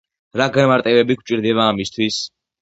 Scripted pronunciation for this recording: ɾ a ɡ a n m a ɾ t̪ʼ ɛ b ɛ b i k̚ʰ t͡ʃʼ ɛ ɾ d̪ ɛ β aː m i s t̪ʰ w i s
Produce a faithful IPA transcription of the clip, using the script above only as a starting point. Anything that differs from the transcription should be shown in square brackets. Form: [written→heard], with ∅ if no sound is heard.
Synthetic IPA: ɾ a ɡ a n m a ɾ t̪ʼ ɛ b ɛ b i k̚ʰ t͡ʃʼ [ɛ→i] ɾ d̪ ɛ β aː m i s t̪ʰ w i s